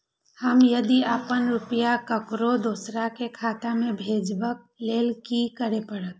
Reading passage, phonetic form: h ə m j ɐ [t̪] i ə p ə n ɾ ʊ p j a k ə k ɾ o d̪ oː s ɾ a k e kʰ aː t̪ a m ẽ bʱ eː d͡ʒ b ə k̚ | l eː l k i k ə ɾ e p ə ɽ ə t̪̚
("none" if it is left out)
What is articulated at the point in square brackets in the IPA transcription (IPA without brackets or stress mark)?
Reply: d̪